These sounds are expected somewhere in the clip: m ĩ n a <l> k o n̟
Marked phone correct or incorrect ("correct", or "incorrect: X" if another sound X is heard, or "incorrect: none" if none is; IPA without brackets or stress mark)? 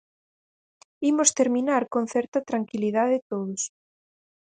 incorrect: ɾ